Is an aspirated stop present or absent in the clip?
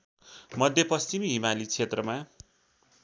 present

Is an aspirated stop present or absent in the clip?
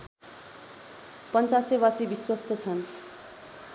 present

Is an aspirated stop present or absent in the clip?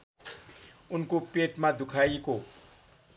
present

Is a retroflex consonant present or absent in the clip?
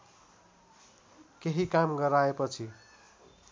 absent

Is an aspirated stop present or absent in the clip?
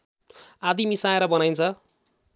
present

